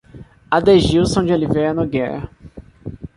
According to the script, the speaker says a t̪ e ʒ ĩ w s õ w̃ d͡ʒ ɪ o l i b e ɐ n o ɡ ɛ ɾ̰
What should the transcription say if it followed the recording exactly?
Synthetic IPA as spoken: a d̪ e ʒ i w s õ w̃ d͡ʒ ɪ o l i v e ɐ n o ɡ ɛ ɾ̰